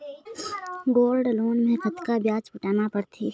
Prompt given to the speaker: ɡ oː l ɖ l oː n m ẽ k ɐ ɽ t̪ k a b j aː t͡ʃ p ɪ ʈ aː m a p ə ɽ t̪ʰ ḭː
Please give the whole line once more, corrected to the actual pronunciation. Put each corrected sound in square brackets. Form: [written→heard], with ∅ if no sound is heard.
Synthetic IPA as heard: ɡ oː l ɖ l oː n m ẽ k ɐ [ɽ→∅] t̪ k a b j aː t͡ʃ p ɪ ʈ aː [m→n] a p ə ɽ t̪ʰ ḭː